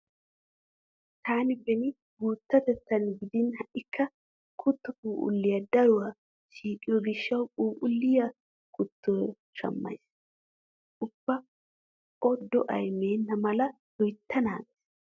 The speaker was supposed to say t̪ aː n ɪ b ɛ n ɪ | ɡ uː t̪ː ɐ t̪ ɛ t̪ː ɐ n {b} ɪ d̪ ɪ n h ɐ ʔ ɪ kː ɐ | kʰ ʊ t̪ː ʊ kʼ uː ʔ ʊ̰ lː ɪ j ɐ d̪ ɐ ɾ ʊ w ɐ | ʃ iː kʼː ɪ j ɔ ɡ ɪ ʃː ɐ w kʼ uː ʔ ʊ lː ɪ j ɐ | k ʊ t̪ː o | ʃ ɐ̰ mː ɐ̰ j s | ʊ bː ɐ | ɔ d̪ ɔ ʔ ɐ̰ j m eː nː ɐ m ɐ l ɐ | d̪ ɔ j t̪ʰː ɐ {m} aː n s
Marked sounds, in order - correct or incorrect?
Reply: incorrect: ɡ, incorrect: n

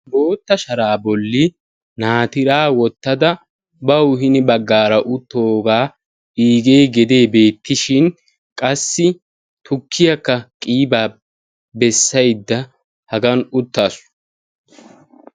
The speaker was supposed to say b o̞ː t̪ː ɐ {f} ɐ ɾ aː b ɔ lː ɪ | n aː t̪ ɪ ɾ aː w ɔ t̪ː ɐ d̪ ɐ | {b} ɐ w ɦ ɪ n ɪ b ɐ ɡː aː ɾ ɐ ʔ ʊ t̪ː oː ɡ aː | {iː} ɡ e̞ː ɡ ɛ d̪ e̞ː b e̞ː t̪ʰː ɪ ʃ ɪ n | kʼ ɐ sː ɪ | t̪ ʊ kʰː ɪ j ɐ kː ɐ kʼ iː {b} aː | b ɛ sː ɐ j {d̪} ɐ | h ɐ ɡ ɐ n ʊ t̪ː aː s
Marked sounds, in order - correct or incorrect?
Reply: incorrect: ʃ, correct, correct, correct, incorrect: d̪ː

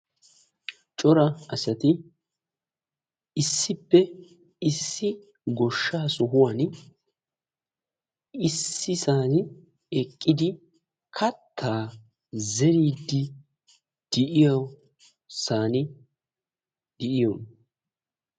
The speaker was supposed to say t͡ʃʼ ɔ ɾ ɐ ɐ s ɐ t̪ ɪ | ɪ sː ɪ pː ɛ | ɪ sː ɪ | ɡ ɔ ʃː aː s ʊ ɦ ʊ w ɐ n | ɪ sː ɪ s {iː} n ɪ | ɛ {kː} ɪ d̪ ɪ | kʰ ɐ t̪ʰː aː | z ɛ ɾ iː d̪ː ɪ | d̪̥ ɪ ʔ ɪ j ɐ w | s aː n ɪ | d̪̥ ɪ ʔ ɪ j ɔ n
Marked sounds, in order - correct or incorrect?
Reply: incorrect: aː, incorrect: kʼː

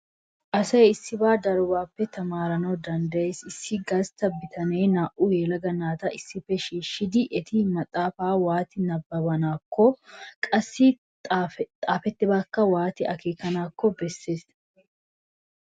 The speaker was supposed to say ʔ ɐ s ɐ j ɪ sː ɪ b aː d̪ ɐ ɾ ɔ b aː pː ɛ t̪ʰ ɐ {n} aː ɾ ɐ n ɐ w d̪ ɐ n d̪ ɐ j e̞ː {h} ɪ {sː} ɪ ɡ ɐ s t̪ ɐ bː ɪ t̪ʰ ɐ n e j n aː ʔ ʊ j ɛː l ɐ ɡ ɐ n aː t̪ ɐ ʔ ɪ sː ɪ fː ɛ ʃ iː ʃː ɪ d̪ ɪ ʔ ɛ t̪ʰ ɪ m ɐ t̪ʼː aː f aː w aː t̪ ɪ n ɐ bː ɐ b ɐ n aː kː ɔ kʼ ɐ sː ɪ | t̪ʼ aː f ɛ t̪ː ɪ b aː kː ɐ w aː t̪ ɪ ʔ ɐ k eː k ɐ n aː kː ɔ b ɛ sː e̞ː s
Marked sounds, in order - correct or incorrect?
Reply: incorrect: m, incorrect: s, correct

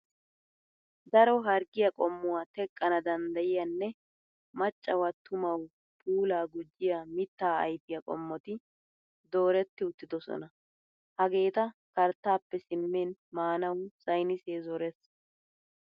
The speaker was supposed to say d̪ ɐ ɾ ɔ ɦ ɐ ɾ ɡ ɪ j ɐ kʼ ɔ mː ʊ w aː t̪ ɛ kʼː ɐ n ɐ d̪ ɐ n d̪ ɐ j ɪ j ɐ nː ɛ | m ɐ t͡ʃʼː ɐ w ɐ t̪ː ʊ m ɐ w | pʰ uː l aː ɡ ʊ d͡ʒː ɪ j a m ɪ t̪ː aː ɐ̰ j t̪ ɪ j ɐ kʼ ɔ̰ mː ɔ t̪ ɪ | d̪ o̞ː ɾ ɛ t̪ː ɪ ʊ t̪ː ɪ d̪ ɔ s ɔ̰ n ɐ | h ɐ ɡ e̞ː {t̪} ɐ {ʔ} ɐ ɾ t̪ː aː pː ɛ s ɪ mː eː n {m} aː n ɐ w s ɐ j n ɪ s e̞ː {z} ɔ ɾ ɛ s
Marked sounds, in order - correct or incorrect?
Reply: correct, incorrect: k, correct, correct

